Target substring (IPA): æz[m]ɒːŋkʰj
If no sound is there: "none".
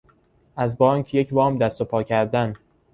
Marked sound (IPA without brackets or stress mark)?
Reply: b